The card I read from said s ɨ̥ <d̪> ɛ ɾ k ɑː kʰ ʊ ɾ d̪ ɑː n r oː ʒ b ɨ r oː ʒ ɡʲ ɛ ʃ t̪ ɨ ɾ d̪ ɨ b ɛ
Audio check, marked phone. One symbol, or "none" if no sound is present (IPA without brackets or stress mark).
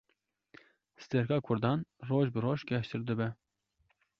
t̪